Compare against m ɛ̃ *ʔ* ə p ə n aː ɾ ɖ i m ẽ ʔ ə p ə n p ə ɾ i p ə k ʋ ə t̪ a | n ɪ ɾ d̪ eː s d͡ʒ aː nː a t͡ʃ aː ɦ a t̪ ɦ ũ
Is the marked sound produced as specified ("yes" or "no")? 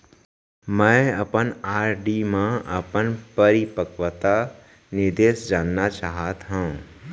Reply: no